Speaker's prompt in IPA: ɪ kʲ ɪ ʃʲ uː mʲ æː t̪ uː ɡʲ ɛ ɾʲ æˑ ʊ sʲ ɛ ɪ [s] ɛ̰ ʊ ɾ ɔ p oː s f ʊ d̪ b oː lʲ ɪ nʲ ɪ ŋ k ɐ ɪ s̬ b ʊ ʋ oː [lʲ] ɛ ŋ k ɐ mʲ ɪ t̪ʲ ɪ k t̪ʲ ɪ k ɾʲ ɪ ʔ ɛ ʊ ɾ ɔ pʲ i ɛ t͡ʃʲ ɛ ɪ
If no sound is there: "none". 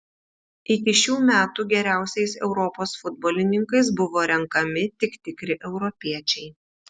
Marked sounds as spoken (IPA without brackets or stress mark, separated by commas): s, ɾʲ